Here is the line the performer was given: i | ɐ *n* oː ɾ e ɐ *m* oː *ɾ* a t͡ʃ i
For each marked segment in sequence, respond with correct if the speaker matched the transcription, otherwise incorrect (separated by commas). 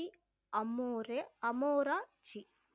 incorrect, correct, correct